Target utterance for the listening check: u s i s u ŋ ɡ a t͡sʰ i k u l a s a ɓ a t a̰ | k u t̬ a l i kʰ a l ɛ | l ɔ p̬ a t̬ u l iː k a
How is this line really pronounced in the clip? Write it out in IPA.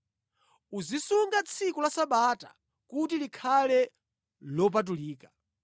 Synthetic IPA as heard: u z i s u ŋ ɡ a t͡sʰ i k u l a s a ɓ a t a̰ | k u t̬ i l i kʰ a l ɛ | l ɔ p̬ a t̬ u l iː k a

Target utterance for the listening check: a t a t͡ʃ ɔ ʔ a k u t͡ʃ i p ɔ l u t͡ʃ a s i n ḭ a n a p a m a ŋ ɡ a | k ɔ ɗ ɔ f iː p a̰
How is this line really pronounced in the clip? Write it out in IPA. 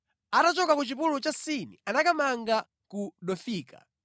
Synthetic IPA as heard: a t a t͡ʃ ɔ k a k u t͡ʃ i p u l u t͡ʃ a s i n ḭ a n a k a m a ŋ ɡ a | k u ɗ ɔ f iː k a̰

